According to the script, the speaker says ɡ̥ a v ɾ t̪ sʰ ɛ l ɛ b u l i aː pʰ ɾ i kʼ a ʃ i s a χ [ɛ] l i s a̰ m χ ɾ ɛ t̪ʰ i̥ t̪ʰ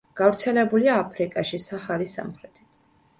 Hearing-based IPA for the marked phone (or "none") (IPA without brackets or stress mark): a